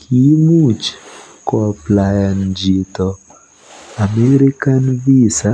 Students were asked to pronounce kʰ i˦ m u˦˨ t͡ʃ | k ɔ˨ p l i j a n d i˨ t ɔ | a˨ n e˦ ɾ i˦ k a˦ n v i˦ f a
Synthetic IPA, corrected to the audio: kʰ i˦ m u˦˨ t͡ʃ | k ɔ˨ p l a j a n d͡ʒ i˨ t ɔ | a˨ m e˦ ɾ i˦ k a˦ n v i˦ s a